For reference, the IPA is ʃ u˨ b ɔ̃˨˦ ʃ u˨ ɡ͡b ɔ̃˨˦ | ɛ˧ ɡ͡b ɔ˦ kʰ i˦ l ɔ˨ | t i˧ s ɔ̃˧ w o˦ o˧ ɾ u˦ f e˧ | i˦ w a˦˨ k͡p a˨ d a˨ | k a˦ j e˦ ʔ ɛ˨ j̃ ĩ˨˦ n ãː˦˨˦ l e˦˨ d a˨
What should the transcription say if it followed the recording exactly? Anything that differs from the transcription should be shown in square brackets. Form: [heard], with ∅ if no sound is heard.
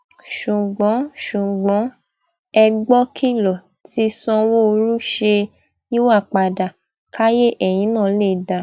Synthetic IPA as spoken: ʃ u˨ [ɡ͡b] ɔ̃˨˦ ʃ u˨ ɡ͡b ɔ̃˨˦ | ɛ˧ ɡ͡b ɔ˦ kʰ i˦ l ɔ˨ | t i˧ s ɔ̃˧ w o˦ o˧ ɾ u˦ [ʃ] e˧ | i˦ w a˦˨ k͡p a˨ d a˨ | k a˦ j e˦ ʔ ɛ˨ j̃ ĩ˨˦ n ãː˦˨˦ l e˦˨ d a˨